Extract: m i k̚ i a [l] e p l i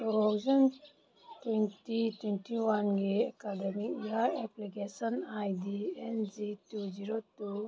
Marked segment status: incorrect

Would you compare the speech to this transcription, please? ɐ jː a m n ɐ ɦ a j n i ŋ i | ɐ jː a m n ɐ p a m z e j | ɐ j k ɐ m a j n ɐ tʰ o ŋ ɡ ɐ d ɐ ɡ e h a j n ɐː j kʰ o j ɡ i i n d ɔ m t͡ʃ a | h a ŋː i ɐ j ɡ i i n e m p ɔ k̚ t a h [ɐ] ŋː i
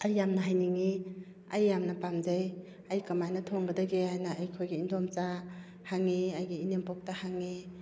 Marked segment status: incorrect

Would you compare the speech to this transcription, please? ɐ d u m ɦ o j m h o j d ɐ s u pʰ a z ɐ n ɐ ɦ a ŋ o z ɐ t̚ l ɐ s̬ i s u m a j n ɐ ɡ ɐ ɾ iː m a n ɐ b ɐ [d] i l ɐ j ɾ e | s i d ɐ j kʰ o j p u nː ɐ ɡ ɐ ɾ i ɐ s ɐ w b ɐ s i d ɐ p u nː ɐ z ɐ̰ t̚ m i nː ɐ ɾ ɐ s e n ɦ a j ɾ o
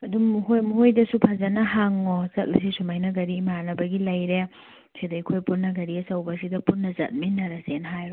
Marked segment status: incorrect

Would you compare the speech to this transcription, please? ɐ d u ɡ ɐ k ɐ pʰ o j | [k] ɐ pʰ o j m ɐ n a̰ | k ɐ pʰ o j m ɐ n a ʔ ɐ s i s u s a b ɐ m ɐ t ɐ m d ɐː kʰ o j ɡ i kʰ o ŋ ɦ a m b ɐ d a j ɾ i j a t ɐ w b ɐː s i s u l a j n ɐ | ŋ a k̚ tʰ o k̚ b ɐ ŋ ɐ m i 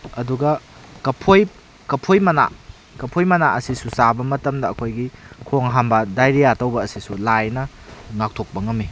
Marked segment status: correct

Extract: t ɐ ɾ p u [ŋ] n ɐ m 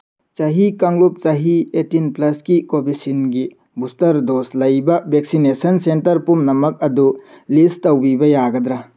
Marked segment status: incorrect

